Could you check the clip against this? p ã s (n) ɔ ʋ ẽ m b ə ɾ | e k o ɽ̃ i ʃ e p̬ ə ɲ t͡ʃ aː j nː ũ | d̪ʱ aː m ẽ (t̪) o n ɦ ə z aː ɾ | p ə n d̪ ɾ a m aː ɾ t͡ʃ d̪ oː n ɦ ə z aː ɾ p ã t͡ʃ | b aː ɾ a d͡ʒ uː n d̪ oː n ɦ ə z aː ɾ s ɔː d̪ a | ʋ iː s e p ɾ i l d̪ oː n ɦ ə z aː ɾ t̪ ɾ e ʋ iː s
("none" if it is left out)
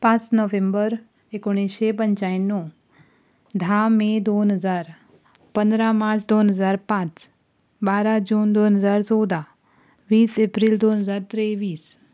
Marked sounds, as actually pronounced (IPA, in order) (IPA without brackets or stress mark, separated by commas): n, d̪